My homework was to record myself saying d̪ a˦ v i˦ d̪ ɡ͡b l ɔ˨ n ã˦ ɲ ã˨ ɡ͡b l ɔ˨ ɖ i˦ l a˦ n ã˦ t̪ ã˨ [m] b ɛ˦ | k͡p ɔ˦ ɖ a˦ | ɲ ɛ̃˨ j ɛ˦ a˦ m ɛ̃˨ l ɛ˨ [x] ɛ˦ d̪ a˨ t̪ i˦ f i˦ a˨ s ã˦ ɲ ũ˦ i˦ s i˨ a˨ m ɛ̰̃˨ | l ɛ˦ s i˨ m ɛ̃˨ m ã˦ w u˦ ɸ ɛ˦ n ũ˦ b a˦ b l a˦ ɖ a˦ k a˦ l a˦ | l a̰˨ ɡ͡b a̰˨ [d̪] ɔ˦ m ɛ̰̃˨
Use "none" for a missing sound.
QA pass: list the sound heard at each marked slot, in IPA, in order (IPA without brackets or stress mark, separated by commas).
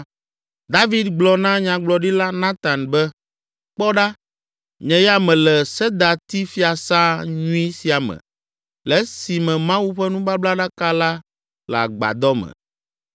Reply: n, s, d̪